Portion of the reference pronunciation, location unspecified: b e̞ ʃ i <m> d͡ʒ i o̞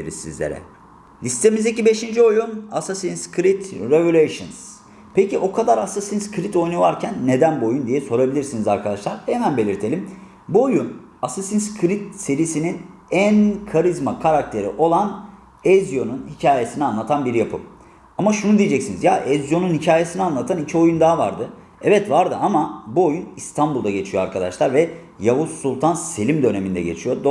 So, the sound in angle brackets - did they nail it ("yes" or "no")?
no